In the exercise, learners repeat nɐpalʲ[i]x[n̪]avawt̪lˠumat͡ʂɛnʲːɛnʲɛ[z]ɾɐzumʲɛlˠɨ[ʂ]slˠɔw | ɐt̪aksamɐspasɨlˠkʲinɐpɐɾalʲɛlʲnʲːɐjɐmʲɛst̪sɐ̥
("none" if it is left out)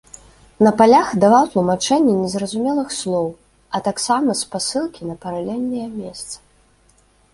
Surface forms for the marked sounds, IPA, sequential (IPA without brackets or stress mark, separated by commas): a, d̪, z, x